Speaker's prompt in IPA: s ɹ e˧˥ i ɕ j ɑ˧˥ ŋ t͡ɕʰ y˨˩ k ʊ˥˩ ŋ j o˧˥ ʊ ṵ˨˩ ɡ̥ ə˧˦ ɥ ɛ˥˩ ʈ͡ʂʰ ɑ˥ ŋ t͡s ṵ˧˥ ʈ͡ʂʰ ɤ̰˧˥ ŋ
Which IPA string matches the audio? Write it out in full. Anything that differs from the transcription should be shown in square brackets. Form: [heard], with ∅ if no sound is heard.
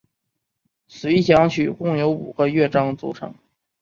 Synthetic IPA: s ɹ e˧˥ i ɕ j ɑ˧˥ ŋ t͡ɕʰ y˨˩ k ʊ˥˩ ŋ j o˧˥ ʊ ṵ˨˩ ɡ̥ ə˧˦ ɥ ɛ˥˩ [ʈ͡ʂ] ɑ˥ ŋ t͡s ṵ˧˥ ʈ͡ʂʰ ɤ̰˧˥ ŋ